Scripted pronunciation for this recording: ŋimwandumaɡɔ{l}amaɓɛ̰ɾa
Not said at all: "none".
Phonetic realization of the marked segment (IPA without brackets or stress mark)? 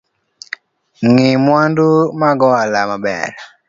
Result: l